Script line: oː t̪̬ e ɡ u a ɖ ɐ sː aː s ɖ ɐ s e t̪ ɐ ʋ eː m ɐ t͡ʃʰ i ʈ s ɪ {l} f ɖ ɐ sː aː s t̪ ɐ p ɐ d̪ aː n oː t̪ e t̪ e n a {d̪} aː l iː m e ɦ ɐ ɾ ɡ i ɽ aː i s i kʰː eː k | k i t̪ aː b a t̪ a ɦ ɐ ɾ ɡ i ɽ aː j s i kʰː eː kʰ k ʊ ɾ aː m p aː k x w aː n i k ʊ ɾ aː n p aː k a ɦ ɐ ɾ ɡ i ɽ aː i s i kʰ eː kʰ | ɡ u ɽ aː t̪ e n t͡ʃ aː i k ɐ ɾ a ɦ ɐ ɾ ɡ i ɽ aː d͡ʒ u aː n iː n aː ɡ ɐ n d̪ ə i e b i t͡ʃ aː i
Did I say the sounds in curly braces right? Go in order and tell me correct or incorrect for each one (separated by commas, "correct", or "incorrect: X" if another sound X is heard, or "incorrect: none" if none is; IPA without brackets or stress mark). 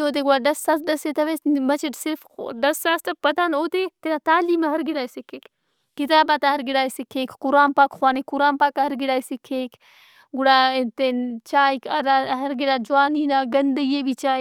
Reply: incorrect: ɾ, incorrect: t̪